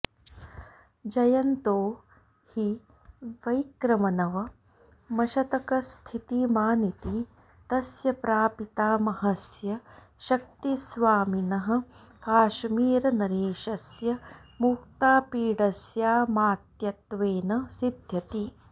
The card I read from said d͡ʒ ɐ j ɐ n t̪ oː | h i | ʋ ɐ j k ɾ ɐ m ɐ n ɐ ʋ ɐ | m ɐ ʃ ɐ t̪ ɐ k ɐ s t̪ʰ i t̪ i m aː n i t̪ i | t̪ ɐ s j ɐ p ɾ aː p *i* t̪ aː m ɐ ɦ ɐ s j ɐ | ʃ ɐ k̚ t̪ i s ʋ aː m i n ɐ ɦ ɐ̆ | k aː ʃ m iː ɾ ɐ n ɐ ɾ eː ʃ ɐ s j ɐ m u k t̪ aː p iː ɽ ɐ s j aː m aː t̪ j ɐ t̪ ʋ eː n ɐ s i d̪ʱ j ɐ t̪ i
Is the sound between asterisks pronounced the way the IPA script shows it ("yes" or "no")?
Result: yes